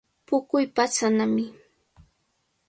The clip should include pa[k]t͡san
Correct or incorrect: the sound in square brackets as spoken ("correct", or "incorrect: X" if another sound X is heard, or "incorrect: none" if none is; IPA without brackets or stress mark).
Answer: incorrect: none